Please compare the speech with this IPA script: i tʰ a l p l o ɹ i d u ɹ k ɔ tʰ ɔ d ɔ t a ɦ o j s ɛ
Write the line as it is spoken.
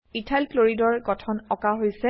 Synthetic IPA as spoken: i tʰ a l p l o ɹ i d ɔ ɹ ɡ ɔ tʰ ɔ n ɔ k a ɦ o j s ɛ